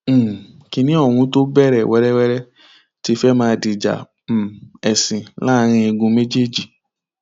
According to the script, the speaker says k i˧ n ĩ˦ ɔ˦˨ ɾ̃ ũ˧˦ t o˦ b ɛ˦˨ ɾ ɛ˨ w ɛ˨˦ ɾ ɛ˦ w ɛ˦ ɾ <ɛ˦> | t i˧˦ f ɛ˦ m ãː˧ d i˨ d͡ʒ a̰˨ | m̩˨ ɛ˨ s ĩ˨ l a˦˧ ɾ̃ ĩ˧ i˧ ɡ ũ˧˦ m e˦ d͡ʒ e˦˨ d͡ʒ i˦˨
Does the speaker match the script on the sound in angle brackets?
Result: yes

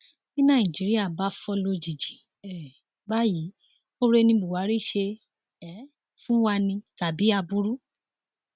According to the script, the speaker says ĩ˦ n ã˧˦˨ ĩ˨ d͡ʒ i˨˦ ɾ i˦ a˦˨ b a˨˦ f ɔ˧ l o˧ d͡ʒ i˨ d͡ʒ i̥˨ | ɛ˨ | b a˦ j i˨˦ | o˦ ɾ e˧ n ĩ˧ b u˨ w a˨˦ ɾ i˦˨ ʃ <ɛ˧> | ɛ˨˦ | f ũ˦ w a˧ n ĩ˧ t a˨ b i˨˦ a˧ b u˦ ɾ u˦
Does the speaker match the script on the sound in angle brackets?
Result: no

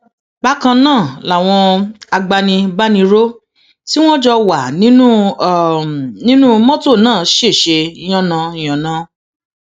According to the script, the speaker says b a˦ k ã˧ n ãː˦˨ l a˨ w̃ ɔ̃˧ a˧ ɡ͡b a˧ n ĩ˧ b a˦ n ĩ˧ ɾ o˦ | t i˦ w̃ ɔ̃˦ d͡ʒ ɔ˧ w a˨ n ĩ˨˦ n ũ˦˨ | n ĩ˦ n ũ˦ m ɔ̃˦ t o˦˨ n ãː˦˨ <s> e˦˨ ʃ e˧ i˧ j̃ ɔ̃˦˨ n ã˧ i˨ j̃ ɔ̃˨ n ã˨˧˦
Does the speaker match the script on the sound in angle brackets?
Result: no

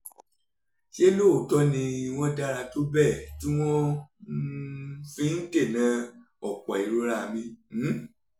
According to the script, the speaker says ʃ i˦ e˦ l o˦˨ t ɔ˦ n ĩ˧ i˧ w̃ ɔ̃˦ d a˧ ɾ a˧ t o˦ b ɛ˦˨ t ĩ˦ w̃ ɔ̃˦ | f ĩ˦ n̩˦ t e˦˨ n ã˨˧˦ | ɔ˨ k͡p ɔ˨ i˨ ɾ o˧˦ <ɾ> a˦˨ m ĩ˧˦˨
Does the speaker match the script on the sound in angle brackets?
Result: yes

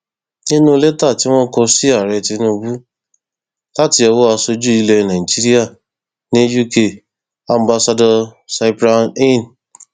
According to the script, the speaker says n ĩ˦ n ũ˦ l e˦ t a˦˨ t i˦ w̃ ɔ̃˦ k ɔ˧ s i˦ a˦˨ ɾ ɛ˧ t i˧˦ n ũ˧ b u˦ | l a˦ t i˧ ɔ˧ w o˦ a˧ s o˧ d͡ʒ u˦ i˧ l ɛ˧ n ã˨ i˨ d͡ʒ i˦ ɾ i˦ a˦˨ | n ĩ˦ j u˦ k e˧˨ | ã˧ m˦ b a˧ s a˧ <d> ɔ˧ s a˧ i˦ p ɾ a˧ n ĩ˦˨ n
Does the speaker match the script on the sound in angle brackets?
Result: yes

